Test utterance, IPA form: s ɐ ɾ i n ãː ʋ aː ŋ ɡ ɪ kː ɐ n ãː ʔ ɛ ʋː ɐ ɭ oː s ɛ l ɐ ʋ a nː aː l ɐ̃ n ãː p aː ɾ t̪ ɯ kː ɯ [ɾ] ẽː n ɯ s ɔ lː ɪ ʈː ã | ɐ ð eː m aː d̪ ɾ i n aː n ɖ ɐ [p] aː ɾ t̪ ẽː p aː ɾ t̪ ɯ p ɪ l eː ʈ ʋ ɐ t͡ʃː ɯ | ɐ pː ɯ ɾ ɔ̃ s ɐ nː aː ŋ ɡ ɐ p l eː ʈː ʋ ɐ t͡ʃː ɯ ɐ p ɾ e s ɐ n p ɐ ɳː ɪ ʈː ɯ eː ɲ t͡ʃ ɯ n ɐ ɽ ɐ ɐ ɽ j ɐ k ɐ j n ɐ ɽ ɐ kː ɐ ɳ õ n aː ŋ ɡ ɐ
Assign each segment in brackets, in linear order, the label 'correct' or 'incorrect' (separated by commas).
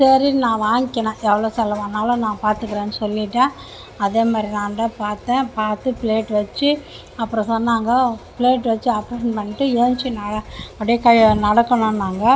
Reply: correct, correct